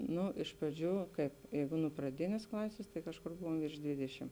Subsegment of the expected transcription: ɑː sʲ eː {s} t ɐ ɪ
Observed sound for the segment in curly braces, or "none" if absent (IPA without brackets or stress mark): s